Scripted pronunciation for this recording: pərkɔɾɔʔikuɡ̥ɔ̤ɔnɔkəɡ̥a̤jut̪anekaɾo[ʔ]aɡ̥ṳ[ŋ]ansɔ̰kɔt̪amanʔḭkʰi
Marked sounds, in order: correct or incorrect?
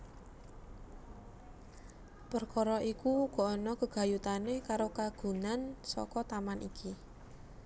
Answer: incorrect: k, incorrect: n

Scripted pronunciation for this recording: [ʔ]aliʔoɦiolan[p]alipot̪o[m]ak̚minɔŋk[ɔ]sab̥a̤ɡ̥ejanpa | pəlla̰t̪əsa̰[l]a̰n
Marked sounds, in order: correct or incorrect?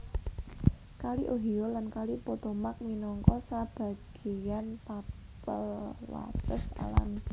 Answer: incorrect: k, incorrect: k, correct, correct, correct

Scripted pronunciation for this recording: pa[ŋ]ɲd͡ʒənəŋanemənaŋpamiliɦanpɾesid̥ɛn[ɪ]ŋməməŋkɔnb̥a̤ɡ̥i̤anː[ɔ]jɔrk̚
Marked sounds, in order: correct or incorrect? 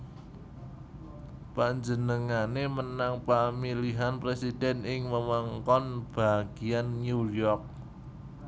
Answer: incorrect: none, correct, incorrect: u

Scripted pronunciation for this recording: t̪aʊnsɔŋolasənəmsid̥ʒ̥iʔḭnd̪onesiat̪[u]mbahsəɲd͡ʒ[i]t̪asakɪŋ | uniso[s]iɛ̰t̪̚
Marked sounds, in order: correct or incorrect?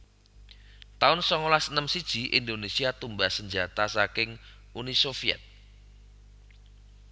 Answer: correct, incorrect: a, incorrect: f

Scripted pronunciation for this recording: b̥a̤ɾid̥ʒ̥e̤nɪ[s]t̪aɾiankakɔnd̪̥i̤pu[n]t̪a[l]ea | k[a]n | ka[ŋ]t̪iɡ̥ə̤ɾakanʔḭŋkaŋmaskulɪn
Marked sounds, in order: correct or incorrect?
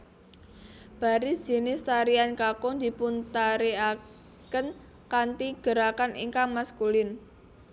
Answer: correct, correct, incorrect: ɾ, incorrect: ə, incorrect: n

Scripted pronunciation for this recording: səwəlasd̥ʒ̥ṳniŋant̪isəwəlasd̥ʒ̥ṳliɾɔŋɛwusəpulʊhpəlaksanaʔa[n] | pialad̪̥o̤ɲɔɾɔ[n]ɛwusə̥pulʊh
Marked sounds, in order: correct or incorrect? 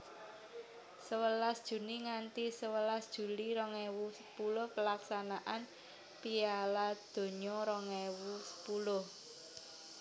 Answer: correct, incorrect: ŋ

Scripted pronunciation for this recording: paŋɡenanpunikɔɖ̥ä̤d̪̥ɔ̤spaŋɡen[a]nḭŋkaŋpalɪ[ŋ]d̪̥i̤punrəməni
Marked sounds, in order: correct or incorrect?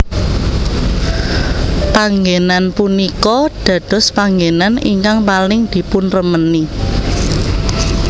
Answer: correct, correct

